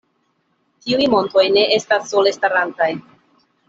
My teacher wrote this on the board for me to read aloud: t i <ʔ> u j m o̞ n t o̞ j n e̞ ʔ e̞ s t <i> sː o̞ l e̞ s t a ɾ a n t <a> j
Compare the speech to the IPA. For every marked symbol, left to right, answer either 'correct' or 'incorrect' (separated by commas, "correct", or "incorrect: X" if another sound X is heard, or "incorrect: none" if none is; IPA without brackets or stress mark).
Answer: incorrect: none, incorrect: a, correct